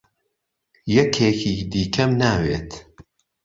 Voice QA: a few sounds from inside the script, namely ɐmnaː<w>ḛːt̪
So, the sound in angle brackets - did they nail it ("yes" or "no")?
yes